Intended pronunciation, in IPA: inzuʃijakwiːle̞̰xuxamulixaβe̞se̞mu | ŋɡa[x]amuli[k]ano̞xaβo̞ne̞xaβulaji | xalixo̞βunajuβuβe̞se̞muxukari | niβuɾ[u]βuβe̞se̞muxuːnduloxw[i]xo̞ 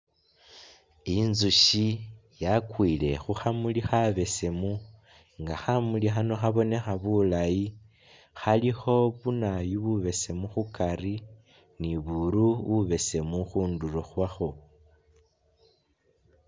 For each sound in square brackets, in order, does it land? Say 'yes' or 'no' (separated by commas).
yes, no, yes, no